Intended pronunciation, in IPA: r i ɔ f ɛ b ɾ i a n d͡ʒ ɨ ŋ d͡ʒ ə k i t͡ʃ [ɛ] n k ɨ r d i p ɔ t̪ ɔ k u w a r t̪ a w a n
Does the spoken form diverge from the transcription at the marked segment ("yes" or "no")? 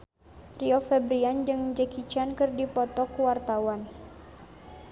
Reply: yes